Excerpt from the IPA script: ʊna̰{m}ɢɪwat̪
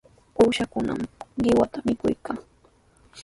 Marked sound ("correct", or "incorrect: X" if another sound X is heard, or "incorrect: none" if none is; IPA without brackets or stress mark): correct